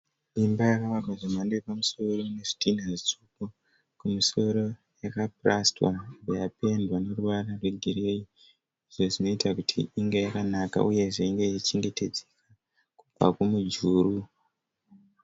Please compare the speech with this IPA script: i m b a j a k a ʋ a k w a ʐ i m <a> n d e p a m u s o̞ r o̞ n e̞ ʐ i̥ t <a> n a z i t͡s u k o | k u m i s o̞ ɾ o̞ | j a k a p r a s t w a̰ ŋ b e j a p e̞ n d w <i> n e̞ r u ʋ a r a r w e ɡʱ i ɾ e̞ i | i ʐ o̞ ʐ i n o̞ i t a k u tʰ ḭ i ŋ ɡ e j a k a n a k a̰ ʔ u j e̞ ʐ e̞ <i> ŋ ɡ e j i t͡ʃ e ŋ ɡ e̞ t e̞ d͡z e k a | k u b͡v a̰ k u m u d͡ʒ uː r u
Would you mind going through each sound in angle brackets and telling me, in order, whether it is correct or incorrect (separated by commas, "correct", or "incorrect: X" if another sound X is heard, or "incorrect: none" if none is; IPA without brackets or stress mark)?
correct, incorrect: i, incorrect: a, correct